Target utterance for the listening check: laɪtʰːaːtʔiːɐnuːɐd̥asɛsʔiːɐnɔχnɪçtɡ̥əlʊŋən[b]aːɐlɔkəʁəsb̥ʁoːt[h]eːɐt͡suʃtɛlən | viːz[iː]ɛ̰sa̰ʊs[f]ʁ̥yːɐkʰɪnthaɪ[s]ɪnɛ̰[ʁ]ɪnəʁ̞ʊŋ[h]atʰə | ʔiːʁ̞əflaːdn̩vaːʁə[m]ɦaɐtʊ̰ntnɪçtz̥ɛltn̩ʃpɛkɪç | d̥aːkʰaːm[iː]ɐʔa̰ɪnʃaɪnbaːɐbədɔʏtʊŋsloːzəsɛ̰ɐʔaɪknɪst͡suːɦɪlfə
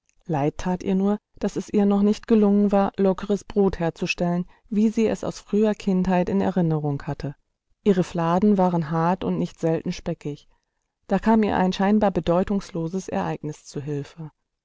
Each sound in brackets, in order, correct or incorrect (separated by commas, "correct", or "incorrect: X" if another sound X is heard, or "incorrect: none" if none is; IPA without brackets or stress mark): incorrect: v, correct, correct, correct, incorrect: t, correct, correct, incorrect: n, correct